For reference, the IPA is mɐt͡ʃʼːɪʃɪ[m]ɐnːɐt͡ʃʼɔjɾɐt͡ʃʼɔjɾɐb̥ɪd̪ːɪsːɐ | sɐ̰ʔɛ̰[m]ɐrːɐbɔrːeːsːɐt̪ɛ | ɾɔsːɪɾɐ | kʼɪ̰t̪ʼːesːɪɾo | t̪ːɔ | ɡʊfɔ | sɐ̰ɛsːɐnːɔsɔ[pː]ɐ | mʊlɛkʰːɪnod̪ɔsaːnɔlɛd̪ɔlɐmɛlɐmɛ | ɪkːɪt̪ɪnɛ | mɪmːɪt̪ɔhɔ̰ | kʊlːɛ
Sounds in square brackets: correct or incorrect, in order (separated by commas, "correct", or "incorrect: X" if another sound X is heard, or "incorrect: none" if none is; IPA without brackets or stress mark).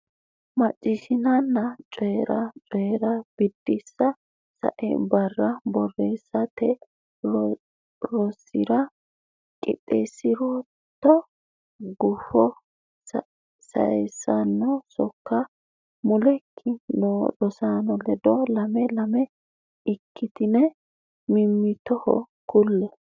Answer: incorrect: n, incorrect: b, incorrect: kː